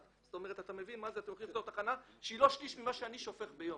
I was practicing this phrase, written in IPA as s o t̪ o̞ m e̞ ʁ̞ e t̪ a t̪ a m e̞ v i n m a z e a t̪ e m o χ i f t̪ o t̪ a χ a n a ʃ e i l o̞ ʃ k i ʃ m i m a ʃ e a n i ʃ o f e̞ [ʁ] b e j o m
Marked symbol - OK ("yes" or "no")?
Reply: no